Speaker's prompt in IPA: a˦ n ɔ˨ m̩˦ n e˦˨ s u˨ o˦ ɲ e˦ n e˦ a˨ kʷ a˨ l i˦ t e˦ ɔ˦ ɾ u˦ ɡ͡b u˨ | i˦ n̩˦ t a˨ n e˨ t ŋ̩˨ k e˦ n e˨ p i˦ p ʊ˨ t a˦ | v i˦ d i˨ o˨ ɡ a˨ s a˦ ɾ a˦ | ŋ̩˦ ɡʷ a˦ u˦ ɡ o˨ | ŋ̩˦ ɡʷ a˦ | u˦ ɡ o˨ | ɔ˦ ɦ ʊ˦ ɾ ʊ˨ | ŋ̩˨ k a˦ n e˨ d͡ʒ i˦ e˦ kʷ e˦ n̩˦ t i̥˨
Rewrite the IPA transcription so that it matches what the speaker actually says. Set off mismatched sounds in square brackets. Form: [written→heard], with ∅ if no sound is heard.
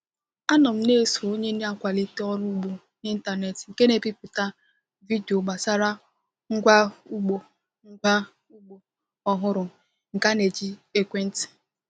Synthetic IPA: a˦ n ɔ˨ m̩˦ n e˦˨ s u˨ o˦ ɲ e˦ n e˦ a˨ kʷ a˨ l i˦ t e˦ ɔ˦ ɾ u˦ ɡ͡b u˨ | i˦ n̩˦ t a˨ n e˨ t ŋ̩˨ k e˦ n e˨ p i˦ p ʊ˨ t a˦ | v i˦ d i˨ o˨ [ɡ→ɡ͡b] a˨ s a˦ ɾ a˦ | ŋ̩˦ ɡʷ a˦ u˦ [ɡ→ɡ͡b] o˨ | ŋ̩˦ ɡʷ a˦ | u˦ [ɡ→ɡ͡b] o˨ | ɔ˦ ɦ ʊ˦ ɾ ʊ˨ | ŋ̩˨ k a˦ n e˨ d͡ʒ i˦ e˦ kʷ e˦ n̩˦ t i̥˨